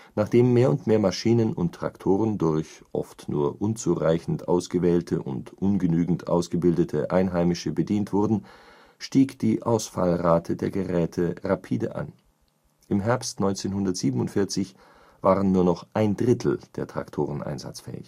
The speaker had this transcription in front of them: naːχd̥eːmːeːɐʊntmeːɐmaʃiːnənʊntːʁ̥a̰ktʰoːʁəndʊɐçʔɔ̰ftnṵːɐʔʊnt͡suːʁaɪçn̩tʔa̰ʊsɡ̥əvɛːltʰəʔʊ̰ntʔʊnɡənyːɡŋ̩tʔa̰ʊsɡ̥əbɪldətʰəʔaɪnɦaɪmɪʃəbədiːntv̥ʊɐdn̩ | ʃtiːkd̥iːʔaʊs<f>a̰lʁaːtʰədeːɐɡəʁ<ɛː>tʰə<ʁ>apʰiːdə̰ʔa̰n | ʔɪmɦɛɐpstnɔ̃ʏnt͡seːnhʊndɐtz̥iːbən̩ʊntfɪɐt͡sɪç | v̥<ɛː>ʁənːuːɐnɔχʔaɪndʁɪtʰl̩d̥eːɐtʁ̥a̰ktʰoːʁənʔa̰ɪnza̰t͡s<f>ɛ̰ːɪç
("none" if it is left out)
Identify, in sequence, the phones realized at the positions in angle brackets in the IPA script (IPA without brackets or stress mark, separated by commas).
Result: f, ɛː, ʁ, aː, f